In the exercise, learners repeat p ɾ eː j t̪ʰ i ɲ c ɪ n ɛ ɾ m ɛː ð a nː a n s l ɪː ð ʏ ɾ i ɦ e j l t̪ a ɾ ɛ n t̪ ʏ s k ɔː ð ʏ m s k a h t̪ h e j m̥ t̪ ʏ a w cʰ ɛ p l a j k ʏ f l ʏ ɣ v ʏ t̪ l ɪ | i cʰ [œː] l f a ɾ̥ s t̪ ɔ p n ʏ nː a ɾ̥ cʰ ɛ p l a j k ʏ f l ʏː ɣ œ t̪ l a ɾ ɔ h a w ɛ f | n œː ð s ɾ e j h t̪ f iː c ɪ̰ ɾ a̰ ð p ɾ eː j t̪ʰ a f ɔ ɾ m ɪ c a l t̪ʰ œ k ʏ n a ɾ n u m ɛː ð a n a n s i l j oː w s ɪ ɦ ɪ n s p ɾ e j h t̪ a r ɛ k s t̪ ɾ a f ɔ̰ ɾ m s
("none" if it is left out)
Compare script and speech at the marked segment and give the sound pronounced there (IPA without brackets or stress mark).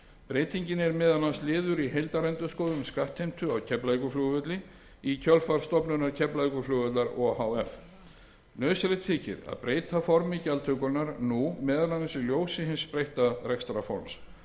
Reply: œ